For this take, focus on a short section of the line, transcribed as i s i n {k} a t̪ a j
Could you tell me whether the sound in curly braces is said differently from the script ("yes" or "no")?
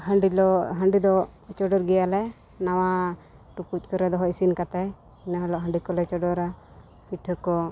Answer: no